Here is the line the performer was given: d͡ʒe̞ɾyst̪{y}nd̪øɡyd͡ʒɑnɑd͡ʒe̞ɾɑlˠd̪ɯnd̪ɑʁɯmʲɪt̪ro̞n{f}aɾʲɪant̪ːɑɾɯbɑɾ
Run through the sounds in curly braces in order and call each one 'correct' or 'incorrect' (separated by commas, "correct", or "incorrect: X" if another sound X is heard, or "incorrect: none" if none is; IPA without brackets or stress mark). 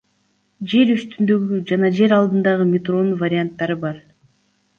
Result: correct, incorrect: v